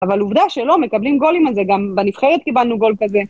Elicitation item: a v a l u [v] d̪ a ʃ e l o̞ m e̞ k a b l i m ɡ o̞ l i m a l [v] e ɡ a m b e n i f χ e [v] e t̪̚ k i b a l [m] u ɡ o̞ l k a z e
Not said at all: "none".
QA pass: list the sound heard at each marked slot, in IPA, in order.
v, z, ʁ, n

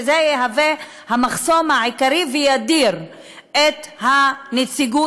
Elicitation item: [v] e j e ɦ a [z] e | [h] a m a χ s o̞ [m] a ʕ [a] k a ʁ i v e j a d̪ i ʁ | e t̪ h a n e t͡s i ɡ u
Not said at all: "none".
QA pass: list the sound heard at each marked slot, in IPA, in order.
z, v, h, m, i

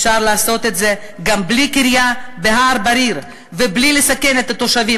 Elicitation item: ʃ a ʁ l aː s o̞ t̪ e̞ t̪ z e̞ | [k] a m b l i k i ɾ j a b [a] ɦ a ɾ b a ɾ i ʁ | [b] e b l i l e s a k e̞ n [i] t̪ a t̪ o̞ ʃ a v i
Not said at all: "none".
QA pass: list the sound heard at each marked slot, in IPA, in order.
ɡ, e, v, e

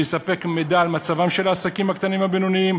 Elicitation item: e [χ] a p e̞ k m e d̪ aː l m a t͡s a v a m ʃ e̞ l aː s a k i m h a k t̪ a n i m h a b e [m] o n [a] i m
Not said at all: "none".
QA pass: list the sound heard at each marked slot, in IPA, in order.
s, n, i

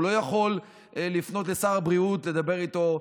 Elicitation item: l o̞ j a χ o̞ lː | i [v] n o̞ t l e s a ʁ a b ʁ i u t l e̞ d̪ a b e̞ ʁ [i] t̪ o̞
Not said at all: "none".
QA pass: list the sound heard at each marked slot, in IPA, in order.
f, i

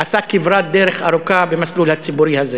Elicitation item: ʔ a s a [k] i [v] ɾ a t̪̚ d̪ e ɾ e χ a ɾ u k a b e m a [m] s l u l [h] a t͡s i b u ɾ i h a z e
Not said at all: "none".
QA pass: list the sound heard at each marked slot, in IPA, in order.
k, v, none, h

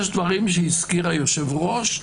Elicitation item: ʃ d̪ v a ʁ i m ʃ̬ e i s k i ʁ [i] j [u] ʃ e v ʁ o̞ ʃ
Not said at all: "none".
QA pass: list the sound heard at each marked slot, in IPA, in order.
a, o

